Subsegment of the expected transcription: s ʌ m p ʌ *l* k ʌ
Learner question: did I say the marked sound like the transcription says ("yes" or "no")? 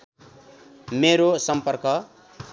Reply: no